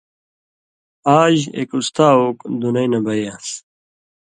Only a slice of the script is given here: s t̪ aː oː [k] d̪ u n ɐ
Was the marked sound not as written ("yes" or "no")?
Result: no